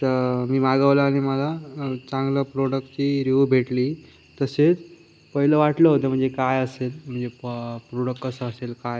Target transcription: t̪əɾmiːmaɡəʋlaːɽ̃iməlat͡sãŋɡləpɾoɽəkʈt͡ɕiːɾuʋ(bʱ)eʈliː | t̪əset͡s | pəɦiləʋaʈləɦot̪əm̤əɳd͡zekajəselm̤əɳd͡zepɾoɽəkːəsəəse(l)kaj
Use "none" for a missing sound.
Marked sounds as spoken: bʱ, l

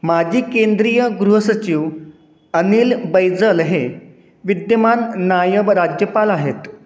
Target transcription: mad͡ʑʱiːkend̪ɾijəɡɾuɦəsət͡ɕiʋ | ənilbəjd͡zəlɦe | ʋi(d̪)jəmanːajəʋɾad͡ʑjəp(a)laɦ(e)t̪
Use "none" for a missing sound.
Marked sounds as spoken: d̪, a, e

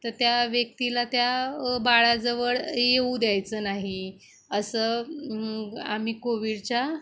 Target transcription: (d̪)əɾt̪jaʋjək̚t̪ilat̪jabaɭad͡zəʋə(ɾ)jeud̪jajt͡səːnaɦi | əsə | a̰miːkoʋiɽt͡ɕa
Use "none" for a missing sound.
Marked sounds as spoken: t̪, ɭ

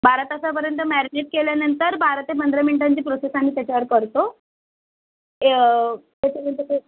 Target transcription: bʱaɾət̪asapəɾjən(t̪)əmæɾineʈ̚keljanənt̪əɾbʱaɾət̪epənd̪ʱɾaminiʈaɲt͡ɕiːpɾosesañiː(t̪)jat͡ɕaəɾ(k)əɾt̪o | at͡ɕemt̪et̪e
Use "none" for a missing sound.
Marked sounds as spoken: t̪, t̪, k

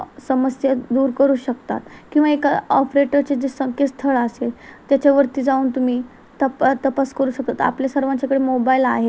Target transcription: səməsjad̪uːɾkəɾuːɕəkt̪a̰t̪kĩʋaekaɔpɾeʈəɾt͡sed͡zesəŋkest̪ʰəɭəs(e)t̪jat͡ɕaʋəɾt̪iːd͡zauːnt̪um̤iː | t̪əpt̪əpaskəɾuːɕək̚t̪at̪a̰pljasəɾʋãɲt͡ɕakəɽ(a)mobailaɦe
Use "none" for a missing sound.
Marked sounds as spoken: e, e

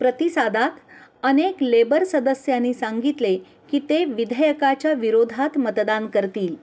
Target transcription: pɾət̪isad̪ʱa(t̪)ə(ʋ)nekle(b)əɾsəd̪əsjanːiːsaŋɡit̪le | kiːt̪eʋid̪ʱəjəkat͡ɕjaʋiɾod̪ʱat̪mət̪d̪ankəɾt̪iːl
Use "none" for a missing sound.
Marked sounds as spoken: t̪, none, b

